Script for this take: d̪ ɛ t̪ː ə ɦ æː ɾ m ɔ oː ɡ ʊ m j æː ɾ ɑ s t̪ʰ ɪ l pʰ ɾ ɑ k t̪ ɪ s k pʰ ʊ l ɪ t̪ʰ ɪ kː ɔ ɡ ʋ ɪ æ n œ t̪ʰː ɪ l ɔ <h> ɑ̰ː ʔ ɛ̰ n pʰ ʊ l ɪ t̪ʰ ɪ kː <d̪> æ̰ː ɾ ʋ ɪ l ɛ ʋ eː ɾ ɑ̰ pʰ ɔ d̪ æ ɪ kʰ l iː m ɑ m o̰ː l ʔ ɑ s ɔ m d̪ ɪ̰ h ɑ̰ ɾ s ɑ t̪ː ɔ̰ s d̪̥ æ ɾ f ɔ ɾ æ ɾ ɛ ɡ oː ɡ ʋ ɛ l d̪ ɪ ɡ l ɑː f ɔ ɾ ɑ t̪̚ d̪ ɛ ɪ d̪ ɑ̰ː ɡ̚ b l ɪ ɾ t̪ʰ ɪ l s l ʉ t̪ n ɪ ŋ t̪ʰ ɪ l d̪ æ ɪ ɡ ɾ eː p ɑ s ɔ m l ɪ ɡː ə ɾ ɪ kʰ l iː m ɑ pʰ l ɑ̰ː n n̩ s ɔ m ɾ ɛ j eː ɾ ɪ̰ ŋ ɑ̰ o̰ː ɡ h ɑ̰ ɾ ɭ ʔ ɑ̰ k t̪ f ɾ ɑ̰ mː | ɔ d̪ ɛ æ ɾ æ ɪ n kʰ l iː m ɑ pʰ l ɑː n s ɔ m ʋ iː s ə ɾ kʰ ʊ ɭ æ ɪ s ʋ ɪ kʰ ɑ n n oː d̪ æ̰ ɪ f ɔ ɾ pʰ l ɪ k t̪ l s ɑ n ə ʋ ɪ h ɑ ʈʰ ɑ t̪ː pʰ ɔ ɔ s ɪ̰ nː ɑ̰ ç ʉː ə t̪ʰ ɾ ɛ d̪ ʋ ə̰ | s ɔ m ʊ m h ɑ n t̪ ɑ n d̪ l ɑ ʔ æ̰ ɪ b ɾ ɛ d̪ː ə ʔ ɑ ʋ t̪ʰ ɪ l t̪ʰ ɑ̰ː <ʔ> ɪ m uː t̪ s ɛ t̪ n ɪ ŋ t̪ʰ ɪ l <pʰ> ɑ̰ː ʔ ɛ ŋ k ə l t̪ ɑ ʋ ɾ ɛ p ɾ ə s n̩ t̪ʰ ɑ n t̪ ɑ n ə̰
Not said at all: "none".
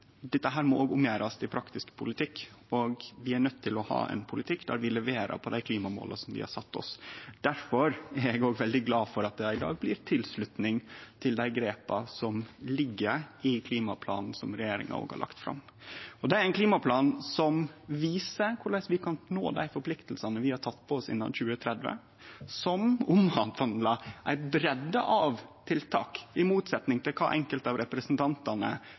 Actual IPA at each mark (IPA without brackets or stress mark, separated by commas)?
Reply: h, d̪, k, kʰ